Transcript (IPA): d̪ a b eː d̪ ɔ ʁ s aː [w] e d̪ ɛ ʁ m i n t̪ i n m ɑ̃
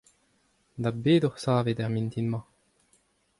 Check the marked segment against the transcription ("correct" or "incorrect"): incorrect